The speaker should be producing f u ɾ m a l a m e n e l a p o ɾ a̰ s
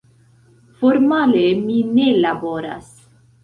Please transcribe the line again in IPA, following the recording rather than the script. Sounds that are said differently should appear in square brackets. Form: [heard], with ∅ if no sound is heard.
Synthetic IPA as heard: f [o] ɾ m a l [e] m [i] n e l a [b] o ɾ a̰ s